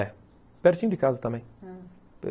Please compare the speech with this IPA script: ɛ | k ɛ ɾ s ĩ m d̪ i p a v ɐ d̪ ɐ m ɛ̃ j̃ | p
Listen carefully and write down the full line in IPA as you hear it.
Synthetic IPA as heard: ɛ | p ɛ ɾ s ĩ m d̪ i k a z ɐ t̪ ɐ m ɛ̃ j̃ | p